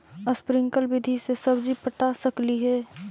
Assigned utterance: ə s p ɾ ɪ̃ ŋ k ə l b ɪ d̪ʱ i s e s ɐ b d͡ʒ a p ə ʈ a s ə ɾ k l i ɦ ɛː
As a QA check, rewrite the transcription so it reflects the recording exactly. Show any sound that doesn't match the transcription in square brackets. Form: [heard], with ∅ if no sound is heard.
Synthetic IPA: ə s p ɾ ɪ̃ ŋ k ə l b ɪ d̪ʱ i s e s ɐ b d͡ʒ [i] p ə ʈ a s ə [∅] k l i ɦ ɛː